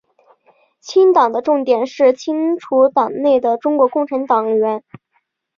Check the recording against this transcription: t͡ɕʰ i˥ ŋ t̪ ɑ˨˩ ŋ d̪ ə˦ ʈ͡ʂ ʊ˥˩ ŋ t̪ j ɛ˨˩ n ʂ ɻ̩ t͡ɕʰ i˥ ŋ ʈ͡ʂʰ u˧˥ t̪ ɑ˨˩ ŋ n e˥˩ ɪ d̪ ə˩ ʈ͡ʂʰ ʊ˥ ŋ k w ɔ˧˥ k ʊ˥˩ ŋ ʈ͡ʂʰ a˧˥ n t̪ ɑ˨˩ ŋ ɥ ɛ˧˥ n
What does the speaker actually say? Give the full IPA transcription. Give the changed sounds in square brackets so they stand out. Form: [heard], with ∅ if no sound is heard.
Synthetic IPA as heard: t͡ɕʰ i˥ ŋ t̪ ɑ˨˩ ŋ d̪ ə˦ ʈ͡ʂ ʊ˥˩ ŋ t̪ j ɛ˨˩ n ʂ ɻ̩ t͡ɕʰ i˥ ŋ ʈ͡ʂʰ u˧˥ t̪ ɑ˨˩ ŋ n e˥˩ ɪ d̪ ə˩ [ʈ͡ʂ] ʊ˥ ŋ k w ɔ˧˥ k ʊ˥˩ ŋ ʈ͡ʂʰ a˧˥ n t̪ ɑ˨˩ ŋ ɥ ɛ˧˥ n